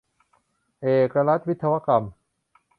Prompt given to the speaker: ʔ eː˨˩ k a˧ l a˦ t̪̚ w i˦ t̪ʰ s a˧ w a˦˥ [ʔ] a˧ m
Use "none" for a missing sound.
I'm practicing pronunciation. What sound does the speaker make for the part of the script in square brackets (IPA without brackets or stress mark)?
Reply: k